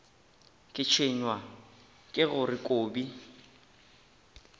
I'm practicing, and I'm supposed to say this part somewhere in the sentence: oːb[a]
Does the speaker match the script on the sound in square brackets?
no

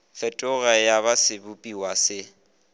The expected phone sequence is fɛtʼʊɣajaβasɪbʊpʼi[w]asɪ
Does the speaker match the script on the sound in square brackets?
yes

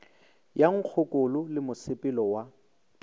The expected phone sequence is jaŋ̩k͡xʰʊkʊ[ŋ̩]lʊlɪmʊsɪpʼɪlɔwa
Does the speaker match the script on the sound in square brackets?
no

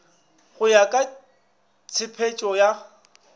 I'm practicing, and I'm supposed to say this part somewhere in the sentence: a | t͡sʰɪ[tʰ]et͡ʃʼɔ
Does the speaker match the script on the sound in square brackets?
no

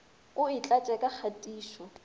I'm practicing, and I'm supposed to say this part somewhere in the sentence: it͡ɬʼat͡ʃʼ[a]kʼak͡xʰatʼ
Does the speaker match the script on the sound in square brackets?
no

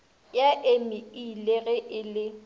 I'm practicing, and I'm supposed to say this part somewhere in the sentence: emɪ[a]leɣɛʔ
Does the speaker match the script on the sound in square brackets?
no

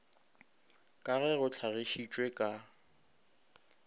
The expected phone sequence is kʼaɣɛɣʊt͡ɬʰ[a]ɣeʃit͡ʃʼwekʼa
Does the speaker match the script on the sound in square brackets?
yes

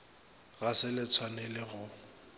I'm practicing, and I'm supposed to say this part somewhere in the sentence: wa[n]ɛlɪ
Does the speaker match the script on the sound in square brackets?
yes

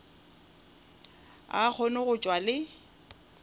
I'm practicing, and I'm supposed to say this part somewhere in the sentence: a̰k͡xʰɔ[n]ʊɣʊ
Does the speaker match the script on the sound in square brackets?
yes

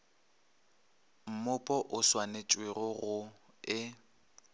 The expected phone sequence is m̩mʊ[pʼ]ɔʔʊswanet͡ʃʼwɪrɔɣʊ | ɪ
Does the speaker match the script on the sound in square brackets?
yes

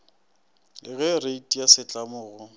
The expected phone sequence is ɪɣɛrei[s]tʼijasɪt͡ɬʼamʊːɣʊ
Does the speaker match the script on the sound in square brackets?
no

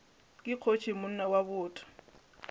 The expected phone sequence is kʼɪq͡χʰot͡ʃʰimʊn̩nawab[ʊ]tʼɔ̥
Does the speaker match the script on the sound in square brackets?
no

